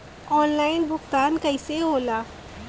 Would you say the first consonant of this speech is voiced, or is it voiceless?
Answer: voiced